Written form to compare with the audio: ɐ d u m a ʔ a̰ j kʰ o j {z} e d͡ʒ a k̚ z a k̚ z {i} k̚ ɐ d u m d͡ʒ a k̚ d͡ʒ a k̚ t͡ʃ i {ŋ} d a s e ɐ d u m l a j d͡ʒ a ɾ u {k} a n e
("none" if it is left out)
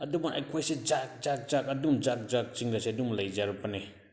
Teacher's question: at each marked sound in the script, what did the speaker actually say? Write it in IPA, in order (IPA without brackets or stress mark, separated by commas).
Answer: s, a, ŋ, p